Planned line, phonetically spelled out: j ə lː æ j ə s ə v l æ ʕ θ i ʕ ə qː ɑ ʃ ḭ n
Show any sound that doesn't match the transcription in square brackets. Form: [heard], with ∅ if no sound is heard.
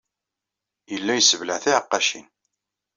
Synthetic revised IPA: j ə lː æ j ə s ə v l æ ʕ θ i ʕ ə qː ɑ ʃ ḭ n